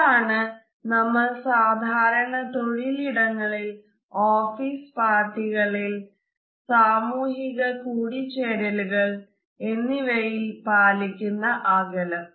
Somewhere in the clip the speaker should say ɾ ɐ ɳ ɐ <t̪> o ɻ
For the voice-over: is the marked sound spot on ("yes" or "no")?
yes